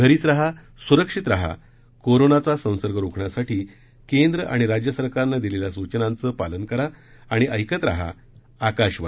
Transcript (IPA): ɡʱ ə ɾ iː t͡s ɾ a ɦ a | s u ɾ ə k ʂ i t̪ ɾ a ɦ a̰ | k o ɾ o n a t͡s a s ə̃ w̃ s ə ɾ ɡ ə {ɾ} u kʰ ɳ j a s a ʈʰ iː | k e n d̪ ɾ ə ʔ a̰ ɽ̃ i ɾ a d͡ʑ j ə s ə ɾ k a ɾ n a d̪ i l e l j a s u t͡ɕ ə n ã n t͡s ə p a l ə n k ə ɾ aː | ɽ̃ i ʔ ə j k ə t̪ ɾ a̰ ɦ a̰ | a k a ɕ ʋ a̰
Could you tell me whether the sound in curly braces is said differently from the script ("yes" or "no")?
no